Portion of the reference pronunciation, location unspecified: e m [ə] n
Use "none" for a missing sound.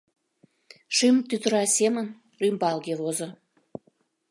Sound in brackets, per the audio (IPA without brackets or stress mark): ə